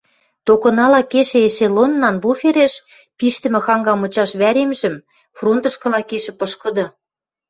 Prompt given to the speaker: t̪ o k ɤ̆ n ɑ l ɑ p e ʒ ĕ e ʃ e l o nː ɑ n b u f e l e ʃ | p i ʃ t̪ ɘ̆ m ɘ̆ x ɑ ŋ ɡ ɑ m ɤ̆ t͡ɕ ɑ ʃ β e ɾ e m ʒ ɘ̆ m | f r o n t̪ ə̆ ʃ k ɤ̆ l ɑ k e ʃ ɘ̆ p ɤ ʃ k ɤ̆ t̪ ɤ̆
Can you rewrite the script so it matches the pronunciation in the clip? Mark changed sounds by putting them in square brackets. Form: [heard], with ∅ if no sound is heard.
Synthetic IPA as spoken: t̪ o k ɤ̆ n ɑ l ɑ [k] e [ʃ] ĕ e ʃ e l o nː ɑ n b u f e [ɾ] e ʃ | p i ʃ t̪ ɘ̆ m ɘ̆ x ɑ ŋ ɡ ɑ m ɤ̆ t͡ɕ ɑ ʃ β [æ] ɾ e m ʒ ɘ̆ m | f r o n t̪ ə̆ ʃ k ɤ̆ l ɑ k e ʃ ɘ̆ p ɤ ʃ k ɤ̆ [d̪] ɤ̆